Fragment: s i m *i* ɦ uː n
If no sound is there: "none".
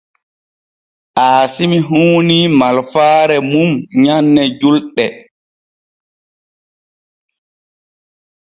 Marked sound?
i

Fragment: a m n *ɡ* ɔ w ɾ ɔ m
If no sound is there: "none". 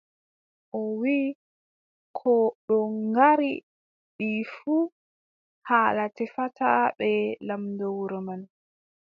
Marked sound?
d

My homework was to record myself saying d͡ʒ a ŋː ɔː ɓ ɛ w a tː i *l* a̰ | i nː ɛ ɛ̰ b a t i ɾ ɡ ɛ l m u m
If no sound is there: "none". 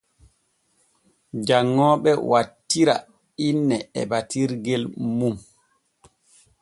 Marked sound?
ɾ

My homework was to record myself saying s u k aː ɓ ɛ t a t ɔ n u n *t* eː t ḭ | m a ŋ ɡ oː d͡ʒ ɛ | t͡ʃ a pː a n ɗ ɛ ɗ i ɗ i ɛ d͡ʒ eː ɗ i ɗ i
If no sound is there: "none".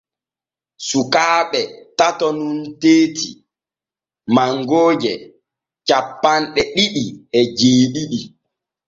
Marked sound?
t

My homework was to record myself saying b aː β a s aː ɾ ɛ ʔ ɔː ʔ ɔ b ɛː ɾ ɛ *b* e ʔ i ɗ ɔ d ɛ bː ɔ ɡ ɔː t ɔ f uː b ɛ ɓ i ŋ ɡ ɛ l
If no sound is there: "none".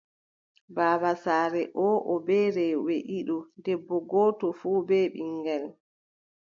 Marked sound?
w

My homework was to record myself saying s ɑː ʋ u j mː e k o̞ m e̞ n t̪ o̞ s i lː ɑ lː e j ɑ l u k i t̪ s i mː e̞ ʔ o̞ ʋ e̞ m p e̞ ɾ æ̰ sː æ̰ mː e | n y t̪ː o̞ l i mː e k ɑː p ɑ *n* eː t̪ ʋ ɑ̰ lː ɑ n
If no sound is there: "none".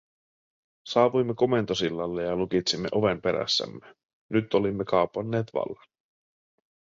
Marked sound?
nː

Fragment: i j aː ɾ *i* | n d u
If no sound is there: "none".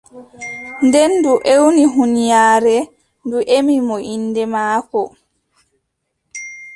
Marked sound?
ɛ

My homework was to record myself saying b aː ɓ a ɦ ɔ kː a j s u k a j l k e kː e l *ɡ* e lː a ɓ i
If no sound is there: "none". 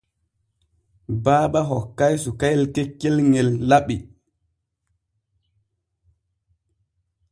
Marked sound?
ŋ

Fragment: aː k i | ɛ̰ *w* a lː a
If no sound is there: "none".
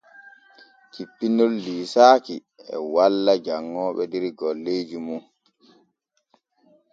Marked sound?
w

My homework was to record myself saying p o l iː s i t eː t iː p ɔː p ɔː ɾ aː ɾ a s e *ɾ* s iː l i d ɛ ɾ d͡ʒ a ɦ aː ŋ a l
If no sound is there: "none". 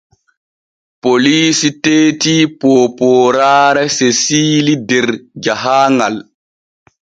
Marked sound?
none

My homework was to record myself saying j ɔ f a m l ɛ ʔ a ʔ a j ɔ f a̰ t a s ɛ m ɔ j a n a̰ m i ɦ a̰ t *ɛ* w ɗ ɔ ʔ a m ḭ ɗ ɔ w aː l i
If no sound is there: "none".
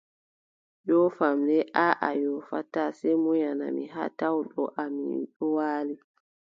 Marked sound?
a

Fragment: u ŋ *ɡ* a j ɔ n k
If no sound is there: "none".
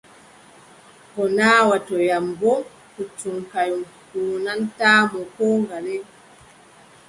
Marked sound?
k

